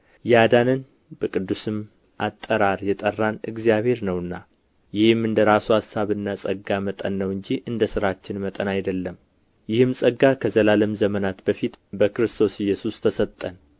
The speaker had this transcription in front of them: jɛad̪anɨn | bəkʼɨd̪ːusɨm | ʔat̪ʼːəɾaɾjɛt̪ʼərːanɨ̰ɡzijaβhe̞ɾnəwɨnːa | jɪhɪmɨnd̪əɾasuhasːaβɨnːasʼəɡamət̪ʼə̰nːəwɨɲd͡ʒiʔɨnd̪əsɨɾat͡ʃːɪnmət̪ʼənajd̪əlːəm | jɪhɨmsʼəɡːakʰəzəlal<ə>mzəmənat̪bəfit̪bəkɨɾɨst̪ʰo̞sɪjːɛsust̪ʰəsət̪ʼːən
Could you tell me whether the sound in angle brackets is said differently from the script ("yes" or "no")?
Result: no